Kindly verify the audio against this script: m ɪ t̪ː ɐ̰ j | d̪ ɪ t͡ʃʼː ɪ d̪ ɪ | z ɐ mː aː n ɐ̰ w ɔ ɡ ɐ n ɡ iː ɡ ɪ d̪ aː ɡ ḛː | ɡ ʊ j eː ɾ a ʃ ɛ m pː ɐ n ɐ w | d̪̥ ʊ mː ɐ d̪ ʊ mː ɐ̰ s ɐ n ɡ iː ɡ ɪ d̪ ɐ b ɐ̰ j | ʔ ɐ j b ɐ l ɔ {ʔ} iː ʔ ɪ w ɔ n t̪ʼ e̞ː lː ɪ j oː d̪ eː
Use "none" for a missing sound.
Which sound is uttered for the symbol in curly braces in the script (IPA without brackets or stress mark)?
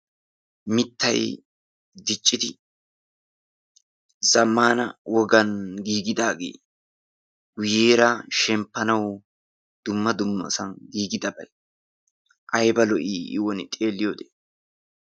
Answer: ʔ